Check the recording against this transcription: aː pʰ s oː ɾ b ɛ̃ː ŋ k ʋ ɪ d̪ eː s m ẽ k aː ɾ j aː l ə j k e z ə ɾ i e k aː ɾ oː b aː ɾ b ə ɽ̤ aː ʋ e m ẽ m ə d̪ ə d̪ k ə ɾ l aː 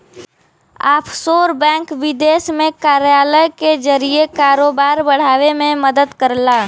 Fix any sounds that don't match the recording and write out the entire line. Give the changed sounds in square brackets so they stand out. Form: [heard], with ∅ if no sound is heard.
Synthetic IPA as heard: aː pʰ s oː ɾ b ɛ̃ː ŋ k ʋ ɪ d̪ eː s m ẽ k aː ɾ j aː l ə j k e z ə ɾ i e k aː ɾ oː b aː ɾ b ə ɽ̤ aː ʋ e m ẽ m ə d̪ ə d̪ k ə ɾ l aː

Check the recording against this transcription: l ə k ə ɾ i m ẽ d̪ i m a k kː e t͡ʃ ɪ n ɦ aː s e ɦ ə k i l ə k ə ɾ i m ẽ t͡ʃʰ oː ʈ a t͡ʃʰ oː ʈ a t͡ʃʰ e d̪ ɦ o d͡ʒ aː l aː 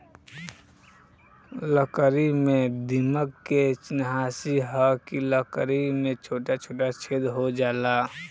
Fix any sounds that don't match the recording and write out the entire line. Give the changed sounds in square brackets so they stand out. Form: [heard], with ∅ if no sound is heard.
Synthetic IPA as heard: l ə k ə ɾ i m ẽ d̪ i m [ə] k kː e t͡ʃ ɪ n ɦ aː s [i] ɦ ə k i l ə k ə ɾ i m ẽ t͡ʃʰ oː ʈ a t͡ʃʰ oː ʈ a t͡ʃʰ e d̪ ɦ o d͡ʒ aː l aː

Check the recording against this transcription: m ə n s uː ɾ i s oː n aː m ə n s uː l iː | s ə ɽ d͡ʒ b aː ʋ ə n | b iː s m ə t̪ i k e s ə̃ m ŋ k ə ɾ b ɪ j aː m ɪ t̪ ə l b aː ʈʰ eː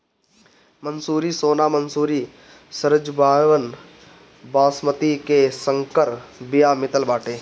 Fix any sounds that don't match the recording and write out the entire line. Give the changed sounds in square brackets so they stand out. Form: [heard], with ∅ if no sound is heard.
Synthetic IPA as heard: m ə n s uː ɾ i s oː n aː m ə n s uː [ɾ] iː | s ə [ɾ] d͡ʒ b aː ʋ ə n | b [aː] s m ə t̪ i k e s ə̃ [∅] ŋ k ə ɾ b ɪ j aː m ɪ t̪ ə l b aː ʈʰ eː

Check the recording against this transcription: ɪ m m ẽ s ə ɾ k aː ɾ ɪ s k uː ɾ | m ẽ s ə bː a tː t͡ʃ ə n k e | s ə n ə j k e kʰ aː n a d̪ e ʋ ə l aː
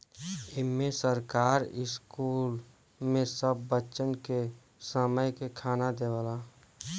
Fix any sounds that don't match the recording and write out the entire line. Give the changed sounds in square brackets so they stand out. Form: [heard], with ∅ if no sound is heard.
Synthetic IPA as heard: ɪ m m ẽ s ə ɾ k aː ɾ ɪ s k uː [l] | m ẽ s ə bː [ə] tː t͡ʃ ə n k e | s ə [m] ə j k e kʰ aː n a d̪ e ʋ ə l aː

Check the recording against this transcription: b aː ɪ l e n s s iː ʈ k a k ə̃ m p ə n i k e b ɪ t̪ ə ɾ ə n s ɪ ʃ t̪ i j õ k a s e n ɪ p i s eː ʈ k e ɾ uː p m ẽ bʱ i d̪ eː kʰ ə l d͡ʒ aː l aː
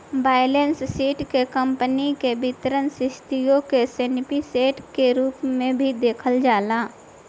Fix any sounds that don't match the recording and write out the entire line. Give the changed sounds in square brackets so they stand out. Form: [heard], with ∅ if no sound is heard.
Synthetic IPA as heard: b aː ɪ l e n s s iː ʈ k [e] k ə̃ m p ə n i k e b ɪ t̪ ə ɾ ə n s ɪ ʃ t̪ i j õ k [e] s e n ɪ p i s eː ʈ k e ɾ uː p m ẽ bʱ i d̪ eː kʰ ə l d͡ʒ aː l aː

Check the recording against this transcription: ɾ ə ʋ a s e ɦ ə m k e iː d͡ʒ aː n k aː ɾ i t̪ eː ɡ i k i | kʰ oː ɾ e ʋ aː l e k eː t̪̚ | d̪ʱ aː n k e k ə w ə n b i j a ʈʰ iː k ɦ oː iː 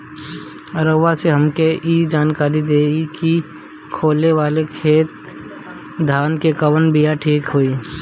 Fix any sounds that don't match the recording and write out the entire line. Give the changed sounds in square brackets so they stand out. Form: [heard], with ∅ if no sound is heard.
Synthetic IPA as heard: ɾ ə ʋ a s e ɦ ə m k e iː d͡ʒ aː n k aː ɾ i [d̪] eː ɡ i k i | kʰ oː [l] e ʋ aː l e [kʰ] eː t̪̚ | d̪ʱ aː n k e k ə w ə n b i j a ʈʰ iː k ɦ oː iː

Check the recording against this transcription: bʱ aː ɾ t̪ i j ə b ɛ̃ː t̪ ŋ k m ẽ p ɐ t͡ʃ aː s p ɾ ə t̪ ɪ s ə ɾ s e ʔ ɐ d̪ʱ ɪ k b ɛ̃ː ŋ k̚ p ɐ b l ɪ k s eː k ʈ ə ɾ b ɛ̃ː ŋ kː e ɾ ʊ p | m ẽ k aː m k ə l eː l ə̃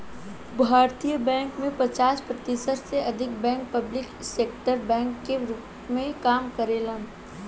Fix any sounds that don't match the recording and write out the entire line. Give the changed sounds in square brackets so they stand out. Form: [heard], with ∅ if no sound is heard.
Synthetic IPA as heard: bʱ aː ɾ t̪ i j ə b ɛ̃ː [∅] ŋ k m ẽ p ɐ t͡ʃ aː s p ɾ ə t̪ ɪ s ə ɾ s e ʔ ɐ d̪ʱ ɪ k b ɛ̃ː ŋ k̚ p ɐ b l ɪ k s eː k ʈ ə ɾ b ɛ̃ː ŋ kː e ɾ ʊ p | m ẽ k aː m k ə [ɾ] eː l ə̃

